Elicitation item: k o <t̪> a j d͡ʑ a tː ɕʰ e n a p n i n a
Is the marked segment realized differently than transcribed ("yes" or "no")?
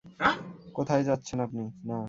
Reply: yes